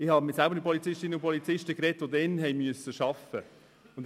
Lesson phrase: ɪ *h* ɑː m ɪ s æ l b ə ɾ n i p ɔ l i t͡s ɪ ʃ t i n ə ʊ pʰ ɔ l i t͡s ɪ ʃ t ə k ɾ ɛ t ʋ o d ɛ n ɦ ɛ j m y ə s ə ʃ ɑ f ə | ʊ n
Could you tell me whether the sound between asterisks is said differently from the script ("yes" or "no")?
no